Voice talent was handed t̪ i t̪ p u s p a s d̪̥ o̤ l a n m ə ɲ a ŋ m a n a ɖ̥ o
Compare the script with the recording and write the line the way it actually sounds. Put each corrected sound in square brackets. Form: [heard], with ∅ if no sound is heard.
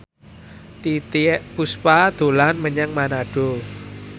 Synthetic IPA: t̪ i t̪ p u s p a [∅] d̪̥ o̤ l a n m ə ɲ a ŋ m a n a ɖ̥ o